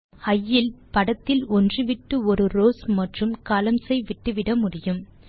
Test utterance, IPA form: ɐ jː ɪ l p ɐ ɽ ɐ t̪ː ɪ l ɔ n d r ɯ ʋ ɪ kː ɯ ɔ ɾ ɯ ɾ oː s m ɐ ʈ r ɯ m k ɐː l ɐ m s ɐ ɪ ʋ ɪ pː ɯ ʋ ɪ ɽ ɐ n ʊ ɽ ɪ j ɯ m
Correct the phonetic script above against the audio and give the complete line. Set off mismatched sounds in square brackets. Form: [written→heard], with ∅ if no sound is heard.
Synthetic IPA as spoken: ɐ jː ɪ l p ɐ ɽ ɐ t̪ː ɪ l ɔ n d r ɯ ʋ ɪ [kː→ʈː] ɯ ɔ ɾ ɯ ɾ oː s m ɐ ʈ r ɯ m k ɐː l ɐ m s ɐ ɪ ʋ ɪ [pː→ʈː] ɯ ʋ ɪ ɽ ɐ [n→m] ʊ ɽ ɪ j ɯ m